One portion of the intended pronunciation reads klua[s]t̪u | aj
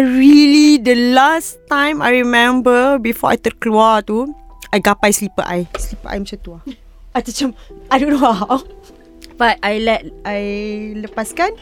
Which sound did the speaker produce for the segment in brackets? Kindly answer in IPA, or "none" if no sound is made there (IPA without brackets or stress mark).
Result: none